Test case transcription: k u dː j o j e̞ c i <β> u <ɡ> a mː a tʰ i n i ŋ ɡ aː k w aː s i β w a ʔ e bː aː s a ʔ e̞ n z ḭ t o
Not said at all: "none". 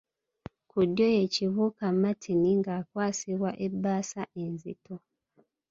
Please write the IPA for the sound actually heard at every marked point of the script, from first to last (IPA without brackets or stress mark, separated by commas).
β, k